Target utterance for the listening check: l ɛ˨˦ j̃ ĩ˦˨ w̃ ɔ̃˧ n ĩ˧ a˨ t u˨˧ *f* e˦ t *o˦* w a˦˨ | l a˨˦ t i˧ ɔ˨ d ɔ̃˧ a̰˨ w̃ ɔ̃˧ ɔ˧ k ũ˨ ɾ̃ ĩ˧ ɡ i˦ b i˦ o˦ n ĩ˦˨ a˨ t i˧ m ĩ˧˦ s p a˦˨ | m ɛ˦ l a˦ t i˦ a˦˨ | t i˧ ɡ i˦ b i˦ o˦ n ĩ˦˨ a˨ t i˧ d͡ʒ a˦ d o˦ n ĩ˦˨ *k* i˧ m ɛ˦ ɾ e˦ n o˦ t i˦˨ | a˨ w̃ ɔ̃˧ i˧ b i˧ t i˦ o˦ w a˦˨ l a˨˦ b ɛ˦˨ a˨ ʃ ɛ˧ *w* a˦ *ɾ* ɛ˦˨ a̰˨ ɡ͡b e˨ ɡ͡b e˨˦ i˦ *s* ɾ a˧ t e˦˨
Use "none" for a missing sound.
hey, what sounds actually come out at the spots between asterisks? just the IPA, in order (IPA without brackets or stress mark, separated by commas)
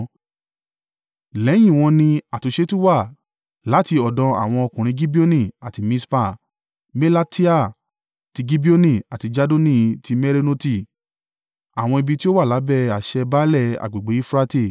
ʃ, u˦, t, b, l, f